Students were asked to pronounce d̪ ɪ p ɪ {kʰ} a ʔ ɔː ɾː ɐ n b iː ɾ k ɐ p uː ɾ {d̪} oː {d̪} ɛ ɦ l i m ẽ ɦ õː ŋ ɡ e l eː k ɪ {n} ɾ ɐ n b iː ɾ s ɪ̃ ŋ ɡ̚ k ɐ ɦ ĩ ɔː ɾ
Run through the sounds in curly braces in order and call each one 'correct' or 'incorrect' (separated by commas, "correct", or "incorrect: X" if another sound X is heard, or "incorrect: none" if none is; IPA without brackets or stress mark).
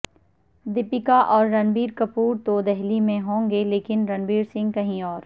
incorrect: k, incorrect: t̪, correct, correct